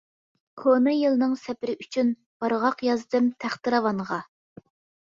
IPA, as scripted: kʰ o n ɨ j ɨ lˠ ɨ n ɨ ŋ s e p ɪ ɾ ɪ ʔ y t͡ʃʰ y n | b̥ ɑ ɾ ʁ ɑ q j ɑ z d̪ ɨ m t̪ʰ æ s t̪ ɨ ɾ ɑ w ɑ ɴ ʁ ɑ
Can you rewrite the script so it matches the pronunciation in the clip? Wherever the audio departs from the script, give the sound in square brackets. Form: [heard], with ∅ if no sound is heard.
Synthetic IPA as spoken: kʰ o n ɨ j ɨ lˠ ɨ n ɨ ŋ s [ɛ] p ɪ ɾ ɪ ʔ y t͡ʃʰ y n | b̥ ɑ ɾ ʁ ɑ q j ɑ z d̪ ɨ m t̪ʰ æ [χ] t̪ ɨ ɾ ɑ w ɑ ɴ ʁ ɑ